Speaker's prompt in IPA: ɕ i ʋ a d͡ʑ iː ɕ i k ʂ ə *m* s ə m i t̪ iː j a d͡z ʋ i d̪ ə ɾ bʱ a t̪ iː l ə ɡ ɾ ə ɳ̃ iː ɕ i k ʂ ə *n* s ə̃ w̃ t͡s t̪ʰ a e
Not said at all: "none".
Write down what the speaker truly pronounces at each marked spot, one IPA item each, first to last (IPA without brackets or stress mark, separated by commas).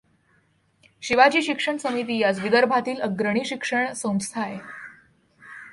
ɳ, ɳ